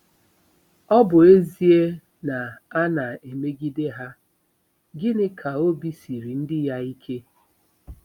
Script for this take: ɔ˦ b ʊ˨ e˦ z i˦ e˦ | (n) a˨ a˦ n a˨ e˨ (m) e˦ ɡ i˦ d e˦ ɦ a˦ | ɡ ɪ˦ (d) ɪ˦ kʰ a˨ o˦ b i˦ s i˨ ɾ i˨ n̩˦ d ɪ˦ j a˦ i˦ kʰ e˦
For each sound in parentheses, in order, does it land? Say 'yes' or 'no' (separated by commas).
yes, yes, no